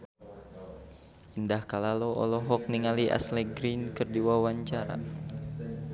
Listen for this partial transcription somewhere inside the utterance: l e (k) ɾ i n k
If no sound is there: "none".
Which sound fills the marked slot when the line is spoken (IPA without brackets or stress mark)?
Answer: ɡ